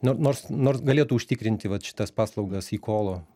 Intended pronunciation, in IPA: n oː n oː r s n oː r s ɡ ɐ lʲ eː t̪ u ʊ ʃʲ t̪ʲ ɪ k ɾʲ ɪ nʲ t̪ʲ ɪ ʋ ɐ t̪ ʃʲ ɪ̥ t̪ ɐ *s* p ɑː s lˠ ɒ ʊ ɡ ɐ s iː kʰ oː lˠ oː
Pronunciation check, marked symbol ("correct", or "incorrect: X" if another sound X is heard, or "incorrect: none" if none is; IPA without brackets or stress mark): correct